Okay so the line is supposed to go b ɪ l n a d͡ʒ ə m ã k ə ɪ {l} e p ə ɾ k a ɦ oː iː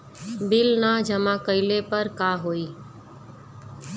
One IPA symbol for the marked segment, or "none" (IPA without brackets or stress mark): l